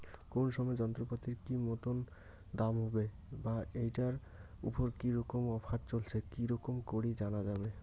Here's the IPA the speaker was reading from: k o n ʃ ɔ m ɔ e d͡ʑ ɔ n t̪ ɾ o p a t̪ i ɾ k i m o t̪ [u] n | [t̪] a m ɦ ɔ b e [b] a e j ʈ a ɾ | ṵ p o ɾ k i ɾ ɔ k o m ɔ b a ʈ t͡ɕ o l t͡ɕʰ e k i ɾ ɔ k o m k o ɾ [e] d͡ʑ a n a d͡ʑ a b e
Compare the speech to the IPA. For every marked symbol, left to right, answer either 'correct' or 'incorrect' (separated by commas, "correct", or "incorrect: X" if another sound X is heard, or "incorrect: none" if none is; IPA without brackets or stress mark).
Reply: incorrect: o, incorrect: d̪, correct, incorrect: i